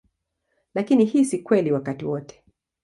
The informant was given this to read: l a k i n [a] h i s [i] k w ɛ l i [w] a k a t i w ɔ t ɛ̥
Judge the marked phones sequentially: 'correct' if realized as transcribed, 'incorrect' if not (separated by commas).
incorrect, correct, correct